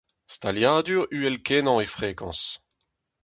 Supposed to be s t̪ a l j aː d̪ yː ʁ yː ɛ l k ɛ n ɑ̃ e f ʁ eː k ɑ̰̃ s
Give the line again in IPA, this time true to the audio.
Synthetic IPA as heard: s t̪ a l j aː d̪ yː ʁ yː ɛ l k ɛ n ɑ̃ e f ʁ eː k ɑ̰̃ s